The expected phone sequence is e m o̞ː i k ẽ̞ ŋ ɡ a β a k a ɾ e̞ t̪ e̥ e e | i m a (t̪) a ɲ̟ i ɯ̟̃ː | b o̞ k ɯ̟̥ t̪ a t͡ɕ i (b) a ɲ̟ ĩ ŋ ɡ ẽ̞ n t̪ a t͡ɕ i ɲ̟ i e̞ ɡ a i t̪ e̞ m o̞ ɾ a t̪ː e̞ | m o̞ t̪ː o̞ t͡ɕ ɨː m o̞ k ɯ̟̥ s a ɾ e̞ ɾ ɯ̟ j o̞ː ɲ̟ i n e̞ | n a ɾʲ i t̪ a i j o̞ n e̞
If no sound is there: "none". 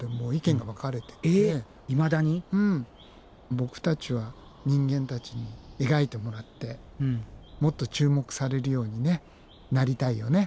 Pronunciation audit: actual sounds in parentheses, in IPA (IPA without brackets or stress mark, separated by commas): d̪, β